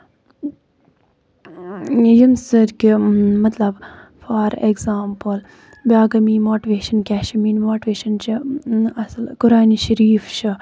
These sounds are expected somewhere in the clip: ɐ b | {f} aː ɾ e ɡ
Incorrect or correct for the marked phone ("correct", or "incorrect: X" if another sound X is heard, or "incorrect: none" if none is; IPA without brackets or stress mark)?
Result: correct